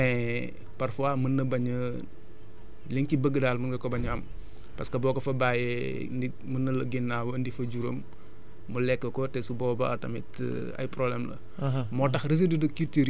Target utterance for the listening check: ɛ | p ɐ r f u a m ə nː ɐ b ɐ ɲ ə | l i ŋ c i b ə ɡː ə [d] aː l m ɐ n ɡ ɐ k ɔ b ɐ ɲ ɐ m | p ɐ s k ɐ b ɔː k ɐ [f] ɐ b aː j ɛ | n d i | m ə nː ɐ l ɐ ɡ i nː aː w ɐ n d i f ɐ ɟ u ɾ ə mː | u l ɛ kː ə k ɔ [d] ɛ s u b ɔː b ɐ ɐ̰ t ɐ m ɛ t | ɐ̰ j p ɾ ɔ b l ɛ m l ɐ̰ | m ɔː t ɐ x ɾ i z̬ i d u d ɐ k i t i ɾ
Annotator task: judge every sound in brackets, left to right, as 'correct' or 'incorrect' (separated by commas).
correct, correct, incorrect